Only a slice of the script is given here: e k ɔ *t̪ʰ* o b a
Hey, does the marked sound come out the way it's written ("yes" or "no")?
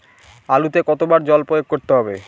no